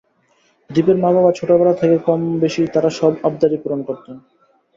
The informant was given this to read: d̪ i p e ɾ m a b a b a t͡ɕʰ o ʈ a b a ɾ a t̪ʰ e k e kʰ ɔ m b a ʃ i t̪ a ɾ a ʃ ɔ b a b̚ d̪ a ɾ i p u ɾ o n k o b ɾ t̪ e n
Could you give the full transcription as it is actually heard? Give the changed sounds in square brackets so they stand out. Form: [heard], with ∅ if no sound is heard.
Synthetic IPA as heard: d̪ i p e ɾ m a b a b a t͡ɕʰ o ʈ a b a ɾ a t̪ʰ e k e [k] ɔ m b [e] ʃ i t̪ a ɾ a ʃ ɔ b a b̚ d̪ a ɾ i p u ɾ o n k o [∅] ɾ t̪ e n